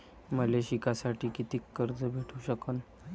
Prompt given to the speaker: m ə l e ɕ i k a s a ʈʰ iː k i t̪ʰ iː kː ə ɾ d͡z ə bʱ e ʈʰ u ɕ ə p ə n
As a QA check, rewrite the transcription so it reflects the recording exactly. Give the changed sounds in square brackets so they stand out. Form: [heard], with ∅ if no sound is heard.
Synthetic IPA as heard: m ə l e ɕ i k a s a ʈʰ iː k i [t̪] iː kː ə ɾ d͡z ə bʱ e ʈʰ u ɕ ə [k] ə n